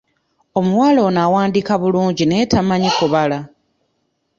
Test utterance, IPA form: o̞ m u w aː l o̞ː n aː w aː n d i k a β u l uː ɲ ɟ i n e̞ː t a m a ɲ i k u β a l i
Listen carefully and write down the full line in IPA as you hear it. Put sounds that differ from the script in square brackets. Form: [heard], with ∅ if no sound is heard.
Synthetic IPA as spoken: o̞ m u w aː l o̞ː n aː w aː n d i k a β u l uː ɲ ɟ i n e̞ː t a m a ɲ i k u β a l [a]